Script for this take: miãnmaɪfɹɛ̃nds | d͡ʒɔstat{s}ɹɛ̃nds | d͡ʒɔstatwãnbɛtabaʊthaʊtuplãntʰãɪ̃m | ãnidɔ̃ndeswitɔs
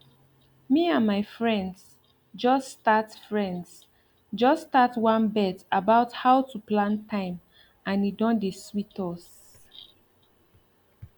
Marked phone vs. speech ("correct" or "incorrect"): incorrect